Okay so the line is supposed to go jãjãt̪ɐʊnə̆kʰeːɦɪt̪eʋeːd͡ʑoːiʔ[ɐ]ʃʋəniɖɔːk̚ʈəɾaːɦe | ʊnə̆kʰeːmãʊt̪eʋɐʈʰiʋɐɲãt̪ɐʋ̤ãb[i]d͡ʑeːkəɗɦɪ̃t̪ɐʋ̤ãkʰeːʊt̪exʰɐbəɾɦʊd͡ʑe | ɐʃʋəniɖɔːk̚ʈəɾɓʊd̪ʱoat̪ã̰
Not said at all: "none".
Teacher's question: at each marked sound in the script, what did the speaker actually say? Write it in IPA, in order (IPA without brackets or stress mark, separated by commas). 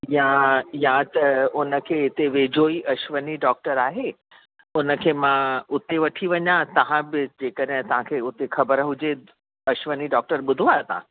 ɐ, ɪ